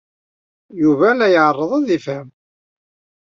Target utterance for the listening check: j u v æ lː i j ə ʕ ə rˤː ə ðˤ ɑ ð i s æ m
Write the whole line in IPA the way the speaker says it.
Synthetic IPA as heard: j u v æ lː æ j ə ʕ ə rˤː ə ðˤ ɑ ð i f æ m